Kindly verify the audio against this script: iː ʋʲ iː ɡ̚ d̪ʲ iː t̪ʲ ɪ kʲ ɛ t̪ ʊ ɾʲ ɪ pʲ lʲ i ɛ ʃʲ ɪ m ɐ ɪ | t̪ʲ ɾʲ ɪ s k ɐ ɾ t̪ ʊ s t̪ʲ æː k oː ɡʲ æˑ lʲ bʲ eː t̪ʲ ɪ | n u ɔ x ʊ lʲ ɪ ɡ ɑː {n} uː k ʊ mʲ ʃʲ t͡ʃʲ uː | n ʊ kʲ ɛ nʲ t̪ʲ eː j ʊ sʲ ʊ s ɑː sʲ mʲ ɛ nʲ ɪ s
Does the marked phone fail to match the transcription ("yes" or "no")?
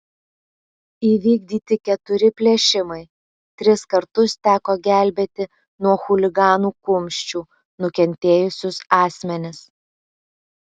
no